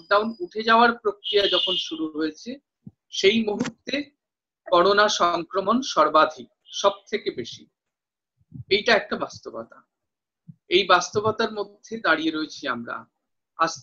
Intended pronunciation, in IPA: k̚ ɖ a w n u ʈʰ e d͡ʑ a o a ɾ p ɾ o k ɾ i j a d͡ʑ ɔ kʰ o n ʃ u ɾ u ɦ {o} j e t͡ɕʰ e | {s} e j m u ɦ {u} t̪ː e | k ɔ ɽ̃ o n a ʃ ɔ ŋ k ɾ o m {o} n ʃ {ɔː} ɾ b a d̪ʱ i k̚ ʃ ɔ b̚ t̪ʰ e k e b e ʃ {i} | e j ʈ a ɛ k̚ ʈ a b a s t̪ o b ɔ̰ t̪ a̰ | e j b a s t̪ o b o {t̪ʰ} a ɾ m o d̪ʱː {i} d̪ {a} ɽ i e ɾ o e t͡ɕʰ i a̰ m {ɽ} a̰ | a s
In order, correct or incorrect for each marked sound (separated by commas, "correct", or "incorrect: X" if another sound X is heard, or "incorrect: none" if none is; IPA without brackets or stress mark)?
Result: correct, incorrect: ʃ, correct, correct, incorrect: ɔ, correct, incorrect: t̪, incorrect: e, correct, incorrect: ɾ